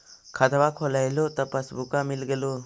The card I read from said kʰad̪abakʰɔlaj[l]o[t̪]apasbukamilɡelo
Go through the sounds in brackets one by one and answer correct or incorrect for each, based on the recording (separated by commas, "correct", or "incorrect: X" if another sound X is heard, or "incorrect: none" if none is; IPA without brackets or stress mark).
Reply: correct, correct